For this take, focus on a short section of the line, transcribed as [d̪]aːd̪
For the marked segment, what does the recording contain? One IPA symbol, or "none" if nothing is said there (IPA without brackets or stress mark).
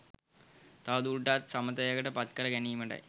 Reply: t̪